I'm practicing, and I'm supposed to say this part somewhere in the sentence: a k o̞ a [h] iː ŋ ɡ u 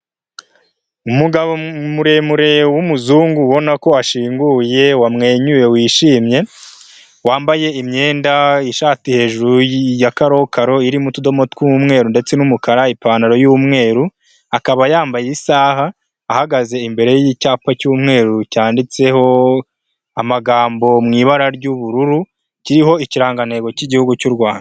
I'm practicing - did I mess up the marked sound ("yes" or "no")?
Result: yes